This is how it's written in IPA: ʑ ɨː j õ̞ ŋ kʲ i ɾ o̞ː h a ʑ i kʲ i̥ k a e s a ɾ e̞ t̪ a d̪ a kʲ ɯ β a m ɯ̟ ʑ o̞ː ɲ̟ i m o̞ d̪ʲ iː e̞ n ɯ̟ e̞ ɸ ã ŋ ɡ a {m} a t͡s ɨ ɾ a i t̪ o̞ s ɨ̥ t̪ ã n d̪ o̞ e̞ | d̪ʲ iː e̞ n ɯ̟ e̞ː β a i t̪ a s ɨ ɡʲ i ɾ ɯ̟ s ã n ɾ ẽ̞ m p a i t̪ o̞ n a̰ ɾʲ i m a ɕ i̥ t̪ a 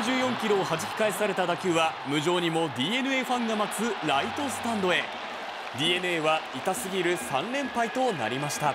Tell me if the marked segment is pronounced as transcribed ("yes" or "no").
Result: yes